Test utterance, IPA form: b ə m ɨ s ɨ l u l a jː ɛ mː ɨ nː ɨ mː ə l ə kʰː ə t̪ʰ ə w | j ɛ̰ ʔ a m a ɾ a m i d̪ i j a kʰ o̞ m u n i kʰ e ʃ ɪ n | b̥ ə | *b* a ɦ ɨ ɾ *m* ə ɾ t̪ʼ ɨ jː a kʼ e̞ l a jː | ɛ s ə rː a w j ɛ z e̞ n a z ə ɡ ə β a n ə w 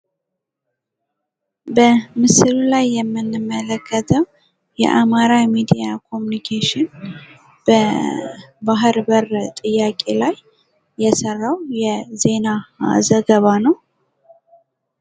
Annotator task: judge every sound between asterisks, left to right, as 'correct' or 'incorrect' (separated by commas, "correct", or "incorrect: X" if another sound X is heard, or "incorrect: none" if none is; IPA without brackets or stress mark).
correct, incorrect: b